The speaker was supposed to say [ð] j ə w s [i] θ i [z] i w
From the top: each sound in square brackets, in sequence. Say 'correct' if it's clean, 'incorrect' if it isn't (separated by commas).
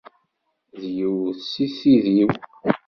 correct, correct, incorrect